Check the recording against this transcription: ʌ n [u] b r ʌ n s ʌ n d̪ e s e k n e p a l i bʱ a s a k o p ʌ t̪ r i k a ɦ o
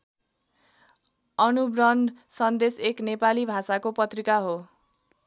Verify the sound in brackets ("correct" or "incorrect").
correct